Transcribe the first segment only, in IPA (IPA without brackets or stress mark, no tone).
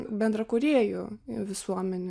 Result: bʲ